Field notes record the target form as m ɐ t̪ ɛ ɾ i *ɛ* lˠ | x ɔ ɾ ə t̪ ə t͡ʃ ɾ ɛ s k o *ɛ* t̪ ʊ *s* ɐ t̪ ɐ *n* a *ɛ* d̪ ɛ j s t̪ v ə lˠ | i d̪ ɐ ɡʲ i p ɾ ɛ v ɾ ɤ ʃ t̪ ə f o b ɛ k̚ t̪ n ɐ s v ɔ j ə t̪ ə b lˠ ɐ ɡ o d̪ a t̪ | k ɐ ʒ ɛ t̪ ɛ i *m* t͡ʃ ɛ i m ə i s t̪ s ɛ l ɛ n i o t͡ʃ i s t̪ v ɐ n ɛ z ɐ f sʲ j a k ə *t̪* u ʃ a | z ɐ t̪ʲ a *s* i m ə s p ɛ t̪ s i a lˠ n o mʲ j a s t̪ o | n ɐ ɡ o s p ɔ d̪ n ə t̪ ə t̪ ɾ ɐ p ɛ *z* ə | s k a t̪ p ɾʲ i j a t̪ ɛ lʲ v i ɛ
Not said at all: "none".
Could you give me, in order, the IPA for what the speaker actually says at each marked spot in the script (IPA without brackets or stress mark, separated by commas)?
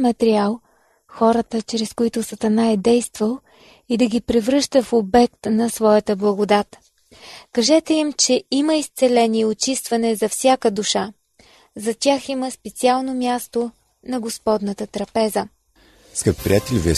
a, i, s, n, ɛ, m, d̪, x, z